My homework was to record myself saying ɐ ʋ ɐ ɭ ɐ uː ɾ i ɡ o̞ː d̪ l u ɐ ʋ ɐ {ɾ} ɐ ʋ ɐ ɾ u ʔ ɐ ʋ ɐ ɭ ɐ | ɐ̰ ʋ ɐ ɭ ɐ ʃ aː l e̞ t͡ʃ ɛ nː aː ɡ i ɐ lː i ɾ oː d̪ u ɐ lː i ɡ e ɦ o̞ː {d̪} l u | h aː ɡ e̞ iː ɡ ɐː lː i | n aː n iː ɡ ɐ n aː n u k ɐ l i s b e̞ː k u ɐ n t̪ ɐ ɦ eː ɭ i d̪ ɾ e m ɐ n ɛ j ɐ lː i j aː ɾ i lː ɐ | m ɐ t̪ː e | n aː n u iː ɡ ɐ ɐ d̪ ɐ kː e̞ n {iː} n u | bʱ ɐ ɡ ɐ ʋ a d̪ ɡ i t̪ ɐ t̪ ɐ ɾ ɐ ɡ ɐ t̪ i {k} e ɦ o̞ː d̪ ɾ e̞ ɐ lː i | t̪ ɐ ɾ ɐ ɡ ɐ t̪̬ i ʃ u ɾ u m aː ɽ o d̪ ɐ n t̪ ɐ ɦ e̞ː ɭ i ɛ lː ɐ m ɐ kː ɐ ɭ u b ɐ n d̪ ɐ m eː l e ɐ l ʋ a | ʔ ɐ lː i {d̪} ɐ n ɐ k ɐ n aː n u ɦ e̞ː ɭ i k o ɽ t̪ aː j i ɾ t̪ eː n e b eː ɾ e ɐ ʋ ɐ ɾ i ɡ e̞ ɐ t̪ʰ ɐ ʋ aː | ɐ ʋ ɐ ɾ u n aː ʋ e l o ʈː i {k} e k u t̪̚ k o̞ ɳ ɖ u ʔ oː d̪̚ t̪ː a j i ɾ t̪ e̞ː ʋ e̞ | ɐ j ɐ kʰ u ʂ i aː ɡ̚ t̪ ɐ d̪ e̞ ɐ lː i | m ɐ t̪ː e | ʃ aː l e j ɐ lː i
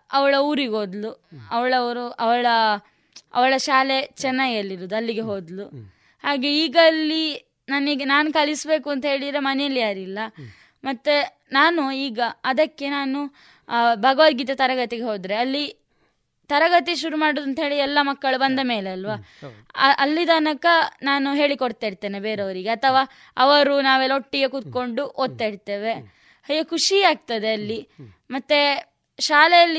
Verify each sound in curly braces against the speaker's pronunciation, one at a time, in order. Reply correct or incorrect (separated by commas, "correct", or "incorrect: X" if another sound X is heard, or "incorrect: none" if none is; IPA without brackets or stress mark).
incorrect: ɭ, correct, incorrect: aː, incorrect: ɡ, correct, incorrect: ɡ